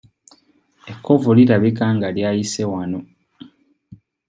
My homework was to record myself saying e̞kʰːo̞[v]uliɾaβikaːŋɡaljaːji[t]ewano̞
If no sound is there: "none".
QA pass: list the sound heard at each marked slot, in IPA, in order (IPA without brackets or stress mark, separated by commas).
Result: v, s